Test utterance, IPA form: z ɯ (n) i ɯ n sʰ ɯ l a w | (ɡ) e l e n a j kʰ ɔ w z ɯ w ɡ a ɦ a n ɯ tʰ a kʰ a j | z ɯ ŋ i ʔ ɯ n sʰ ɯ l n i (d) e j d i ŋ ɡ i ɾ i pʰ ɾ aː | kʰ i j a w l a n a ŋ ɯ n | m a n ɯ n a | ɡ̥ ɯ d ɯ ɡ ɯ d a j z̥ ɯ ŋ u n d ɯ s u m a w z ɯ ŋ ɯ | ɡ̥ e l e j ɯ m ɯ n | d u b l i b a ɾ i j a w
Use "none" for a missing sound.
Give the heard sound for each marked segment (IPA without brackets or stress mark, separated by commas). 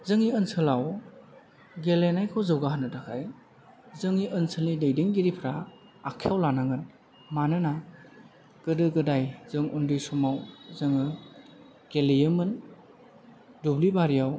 ŋ, ɡ, d